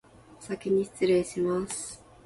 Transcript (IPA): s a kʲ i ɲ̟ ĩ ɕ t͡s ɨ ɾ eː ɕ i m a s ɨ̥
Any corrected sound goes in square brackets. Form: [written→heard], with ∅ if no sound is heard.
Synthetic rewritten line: s a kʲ i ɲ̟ [ĩ→i] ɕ t͡s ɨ ɾ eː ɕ i m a s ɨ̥